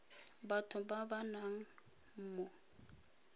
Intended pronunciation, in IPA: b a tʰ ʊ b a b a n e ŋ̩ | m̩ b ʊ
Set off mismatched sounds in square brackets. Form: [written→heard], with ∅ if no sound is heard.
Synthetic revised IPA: b a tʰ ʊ b a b a n [e→a] ŋ̩ | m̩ [b→m] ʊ